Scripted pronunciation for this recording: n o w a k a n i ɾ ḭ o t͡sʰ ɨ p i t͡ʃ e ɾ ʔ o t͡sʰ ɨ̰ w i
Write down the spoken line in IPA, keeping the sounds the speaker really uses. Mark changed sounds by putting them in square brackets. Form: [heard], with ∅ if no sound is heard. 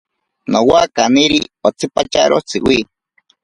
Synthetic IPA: n o w a k a n i ɾ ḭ o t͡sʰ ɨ p [a] t͡ʃ [a] ɾ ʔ o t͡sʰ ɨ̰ w i